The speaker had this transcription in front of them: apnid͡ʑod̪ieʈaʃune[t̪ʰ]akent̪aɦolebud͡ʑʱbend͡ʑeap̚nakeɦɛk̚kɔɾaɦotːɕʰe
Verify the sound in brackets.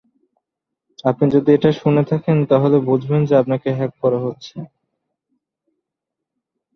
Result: correct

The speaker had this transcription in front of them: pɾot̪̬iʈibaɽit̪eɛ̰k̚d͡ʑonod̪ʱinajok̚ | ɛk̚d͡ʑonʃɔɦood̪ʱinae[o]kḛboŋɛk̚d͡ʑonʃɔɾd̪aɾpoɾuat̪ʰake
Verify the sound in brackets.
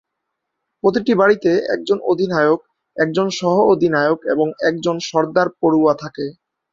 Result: correct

